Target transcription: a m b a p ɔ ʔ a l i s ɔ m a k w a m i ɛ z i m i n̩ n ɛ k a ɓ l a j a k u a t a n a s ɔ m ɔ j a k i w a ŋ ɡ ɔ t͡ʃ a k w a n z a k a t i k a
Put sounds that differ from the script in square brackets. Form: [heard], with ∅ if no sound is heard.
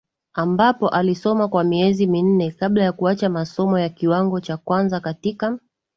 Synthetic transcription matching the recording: a m b a p ɔ ʔ a l i s ɔ m a k w a m i ɛ z i m i n̩ n ɛ k a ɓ l a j a k u a [t͡ʃ] a [m] a s ɔ m ɔ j a k i w a ŋ ɡ ɔ t͡ʃ a k w a n z a k a t i k a